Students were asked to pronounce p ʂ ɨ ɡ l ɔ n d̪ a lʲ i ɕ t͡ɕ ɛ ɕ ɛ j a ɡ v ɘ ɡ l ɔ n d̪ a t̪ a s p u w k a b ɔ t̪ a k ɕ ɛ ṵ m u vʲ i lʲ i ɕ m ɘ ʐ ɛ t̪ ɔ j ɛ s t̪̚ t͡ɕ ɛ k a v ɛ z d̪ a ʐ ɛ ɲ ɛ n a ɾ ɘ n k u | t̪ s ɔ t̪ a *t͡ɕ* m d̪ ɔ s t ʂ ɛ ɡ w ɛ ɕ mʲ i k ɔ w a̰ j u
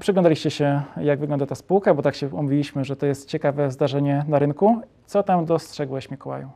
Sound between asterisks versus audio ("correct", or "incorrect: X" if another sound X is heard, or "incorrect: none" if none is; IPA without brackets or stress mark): incorrect: none